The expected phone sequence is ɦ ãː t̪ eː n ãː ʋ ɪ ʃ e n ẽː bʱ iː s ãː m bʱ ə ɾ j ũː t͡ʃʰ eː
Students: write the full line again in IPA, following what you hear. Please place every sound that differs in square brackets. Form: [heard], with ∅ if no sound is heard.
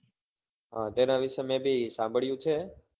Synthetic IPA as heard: ɦ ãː t̪ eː n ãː ʋ ɪ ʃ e [m] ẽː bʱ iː s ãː m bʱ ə [ɭ] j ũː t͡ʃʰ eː